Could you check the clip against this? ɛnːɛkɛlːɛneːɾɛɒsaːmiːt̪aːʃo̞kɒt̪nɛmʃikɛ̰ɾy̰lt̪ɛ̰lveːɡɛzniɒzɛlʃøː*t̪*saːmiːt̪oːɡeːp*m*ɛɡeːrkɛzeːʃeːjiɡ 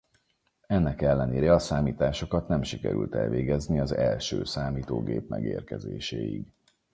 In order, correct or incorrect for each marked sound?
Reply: incorrect, correct

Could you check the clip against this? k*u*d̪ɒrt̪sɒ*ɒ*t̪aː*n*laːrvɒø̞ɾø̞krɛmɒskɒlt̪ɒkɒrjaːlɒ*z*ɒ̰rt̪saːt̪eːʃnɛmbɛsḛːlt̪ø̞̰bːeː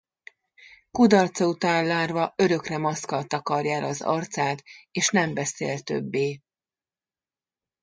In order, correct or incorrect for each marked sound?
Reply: correct, incorrect, correct, correct

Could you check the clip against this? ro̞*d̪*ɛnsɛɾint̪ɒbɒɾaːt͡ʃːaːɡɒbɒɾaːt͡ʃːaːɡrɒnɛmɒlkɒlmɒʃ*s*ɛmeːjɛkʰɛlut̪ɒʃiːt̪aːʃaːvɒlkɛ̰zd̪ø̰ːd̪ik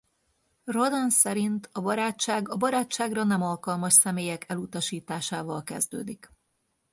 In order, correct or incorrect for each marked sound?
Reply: correct, correct

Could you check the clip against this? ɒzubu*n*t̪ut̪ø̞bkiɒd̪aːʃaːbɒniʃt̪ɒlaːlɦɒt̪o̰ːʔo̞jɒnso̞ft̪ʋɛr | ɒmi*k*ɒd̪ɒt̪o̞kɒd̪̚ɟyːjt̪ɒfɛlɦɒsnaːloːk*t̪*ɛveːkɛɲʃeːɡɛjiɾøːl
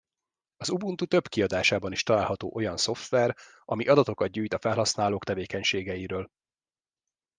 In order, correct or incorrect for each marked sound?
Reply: correct, incorrect, correct

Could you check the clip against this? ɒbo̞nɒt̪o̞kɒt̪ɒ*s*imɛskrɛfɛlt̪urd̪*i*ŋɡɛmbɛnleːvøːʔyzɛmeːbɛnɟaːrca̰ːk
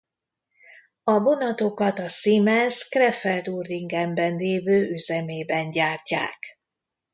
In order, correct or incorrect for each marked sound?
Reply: correct, correct

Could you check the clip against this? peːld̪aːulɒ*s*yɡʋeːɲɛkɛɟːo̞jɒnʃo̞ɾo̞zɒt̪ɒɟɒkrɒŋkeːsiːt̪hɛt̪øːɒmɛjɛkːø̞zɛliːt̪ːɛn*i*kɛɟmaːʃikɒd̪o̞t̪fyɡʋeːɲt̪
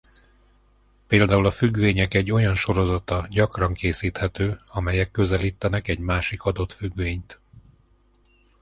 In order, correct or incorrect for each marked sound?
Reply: incorrect, incorrect

